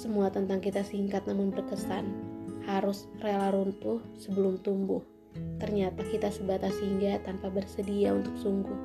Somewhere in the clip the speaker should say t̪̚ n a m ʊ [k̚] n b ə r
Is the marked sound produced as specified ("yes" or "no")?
no